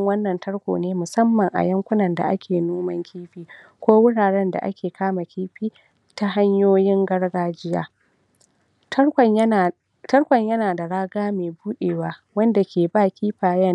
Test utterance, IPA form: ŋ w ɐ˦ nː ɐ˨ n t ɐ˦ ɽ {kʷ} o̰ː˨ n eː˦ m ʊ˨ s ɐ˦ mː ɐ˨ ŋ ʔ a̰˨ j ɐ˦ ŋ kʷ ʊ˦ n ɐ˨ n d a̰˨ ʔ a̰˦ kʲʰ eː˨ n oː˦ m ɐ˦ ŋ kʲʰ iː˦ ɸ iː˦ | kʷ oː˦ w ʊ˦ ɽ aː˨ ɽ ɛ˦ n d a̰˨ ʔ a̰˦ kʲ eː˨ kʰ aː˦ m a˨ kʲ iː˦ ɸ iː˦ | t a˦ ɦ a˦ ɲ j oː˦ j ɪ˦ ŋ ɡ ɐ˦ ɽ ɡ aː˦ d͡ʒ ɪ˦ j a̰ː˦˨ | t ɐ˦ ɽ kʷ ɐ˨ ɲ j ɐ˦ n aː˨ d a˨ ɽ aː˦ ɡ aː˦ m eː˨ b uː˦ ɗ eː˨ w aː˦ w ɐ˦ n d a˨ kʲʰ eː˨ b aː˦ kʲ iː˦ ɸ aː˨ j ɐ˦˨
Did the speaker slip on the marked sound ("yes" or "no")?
no